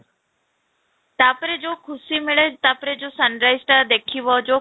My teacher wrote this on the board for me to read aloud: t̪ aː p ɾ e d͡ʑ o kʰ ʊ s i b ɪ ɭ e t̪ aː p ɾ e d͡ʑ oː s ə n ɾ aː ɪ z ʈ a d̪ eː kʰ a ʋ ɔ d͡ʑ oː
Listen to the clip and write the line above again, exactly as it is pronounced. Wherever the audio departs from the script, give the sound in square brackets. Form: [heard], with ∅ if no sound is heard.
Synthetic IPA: t̪ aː p ɾ e d͡ʑ o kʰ ʊ s i [m] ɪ ɭ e t̪ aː p ɾ e d͡ʑ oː s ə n ɾ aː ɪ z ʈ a d̪ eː kʰ [i] ʋ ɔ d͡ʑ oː